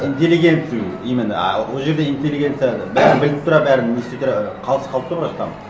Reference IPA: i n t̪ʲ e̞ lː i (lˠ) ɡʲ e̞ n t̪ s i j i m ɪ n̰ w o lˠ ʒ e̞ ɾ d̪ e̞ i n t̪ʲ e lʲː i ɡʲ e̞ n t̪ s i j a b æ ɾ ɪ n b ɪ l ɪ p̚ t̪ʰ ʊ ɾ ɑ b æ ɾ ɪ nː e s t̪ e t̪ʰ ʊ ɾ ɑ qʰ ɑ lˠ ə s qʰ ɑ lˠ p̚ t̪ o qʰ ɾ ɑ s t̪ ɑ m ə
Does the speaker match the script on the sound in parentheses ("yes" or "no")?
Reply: no